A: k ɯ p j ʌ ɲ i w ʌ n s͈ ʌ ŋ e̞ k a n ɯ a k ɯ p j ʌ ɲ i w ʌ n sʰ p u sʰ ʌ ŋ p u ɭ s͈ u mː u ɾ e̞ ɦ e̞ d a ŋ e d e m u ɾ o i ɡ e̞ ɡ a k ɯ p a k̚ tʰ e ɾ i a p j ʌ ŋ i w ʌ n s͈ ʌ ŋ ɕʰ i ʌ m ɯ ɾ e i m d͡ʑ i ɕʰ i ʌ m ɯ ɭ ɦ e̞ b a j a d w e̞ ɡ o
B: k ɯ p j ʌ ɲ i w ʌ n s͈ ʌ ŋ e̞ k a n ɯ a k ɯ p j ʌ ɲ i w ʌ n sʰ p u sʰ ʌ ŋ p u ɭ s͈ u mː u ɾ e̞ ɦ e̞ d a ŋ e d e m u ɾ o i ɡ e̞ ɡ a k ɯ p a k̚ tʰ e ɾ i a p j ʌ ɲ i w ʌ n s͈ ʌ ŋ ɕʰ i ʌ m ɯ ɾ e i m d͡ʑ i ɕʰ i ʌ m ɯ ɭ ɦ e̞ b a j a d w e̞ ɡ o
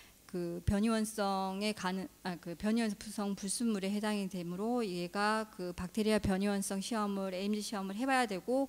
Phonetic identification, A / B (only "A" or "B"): B